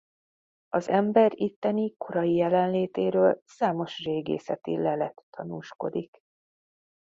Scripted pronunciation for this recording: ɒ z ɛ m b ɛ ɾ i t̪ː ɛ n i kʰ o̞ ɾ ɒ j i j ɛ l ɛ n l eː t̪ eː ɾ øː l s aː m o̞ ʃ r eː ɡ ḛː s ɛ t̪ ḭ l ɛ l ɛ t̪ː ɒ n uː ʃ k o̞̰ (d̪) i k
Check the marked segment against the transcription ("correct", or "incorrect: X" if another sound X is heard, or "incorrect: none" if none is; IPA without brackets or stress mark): correct